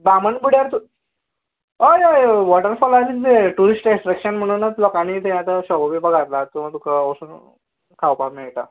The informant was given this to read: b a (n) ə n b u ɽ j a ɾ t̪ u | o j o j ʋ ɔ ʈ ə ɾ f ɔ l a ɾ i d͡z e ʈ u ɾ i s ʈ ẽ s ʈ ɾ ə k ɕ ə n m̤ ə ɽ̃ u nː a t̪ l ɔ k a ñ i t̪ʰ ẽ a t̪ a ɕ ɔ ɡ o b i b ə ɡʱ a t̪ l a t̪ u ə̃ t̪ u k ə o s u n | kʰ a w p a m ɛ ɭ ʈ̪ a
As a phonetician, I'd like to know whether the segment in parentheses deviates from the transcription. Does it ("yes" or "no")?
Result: yes